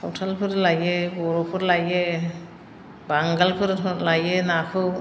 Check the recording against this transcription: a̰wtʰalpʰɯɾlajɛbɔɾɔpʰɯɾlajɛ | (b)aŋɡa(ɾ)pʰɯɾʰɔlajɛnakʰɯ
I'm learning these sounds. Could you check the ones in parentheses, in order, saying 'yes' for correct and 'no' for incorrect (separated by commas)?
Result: yes, no